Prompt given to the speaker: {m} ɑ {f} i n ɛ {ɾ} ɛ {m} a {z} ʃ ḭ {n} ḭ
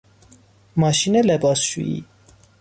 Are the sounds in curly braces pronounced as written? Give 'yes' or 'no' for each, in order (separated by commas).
yes, no, no, no, no, no